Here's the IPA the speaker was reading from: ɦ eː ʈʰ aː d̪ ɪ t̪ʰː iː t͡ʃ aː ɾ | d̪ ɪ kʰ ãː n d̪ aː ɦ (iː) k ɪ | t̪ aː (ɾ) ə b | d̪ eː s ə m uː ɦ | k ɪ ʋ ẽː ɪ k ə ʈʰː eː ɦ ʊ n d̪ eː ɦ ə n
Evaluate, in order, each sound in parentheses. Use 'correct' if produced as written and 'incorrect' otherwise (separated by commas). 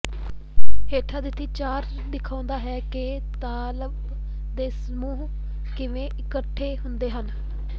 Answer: incorrect, incorrect